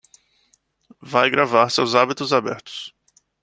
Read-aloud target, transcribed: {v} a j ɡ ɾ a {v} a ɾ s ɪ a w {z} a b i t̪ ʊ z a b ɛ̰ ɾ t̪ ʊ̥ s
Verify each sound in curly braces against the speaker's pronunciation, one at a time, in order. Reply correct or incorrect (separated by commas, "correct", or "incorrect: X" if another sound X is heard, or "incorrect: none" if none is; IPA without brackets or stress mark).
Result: correct, correct, correct